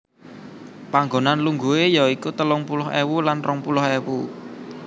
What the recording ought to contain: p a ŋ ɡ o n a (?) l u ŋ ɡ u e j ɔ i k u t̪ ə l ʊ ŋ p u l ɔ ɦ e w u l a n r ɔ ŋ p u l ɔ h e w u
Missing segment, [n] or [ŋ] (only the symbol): n